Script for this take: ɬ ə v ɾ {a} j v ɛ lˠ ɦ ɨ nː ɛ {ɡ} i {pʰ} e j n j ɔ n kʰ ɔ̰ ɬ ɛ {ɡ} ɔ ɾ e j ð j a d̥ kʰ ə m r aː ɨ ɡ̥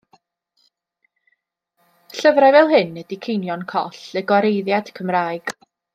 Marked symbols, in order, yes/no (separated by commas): yes, no, no, yes